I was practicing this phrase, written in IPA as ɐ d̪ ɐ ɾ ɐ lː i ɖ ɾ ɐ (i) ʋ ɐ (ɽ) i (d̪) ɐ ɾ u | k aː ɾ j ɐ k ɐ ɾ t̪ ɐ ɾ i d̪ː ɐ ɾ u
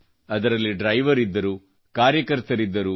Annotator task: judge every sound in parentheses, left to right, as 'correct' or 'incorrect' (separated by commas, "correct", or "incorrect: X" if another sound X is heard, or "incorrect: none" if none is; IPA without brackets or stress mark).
incorrect: j, incorrect: ɾ, incorrect: d̪ː